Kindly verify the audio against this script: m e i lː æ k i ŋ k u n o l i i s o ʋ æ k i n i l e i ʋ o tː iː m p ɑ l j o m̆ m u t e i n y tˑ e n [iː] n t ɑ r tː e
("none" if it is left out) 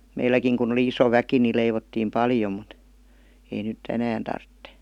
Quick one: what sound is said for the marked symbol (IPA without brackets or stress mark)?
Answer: æː